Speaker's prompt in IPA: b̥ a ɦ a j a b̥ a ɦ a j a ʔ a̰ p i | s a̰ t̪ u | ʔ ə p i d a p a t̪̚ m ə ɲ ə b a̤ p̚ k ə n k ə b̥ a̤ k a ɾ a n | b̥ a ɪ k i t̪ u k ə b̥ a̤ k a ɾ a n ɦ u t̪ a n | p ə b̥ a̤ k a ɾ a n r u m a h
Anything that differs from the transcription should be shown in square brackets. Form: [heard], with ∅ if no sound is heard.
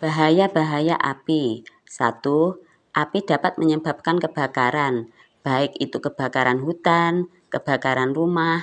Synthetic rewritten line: b̥ a ɦ a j a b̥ a ɦ a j a ʔ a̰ p i | s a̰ t̪ u | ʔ [a] p i d a p a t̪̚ m ə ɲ ə b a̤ p̚ k [a] n k ə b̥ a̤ k a ɾ a n | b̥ a ɪ k i t̪ u k ə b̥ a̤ k a ɾ a n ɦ u t̪ a n | [k] ə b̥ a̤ k a ɾ a n r u m a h